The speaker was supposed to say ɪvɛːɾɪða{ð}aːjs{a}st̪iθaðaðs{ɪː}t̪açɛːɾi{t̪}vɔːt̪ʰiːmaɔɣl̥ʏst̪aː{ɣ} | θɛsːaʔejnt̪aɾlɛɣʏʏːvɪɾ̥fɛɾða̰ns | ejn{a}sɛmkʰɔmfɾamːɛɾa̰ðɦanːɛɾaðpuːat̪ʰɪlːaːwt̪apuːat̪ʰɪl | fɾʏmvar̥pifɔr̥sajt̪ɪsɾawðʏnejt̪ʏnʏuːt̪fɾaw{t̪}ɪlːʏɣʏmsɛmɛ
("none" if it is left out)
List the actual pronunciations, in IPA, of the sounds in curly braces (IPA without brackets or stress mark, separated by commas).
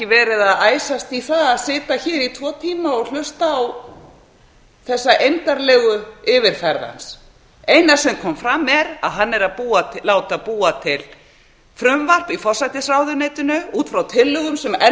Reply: ð, a, ɪː, t̪ʰ, w, a, t̪ʰ